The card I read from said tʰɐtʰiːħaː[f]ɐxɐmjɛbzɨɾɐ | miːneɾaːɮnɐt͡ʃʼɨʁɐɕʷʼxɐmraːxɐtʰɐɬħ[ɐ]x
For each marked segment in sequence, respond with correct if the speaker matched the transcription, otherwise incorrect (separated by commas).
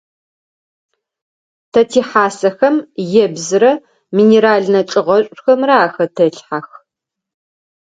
incorrect, incorrect